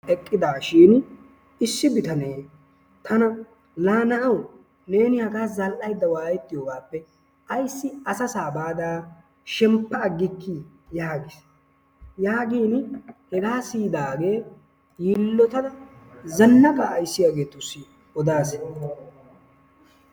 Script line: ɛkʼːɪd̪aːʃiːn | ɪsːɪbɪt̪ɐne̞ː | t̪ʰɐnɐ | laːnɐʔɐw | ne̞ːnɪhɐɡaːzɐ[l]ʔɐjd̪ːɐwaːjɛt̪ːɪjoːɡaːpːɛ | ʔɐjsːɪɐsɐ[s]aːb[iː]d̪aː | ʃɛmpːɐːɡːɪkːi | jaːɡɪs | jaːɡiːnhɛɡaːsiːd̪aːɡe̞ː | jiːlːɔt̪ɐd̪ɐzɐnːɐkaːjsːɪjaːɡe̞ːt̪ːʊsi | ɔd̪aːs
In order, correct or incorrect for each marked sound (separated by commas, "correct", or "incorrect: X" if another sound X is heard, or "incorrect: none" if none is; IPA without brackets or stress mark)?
correct, correct, incorrect: aː